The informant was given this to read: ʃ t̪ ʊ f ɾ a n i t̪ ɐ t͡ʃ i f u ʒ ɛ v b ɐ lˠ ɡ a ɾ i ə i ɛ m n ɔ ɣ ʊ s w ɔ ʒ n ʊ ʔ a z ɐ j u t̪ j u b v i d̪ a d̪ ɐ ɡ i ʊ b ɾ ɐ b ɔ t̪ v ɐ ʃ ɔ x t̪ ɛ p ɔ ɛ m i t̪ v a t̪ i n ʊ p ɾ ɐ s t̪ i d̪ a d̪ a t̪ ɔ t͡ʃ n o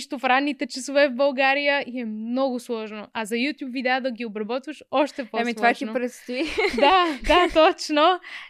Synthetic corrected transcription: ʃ t̪ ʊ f ɾ a n i t̪ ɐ t͡ʃ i s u v ɛ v b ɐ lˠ ɡ a ɾ i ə i ɛ m n ɔ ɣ ʊ s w ɔ ʒ n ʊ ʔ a z ɐ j u t̪ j u b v i d̪ a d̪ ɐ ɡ i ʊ b ɾ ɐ b ɔ t̪ v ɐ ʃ ɔ ʃ t̪ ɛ p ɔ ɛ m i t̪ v a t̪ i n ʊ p ɾ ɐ s t̪ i d̪ a d̪ a t̪ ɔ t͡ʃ n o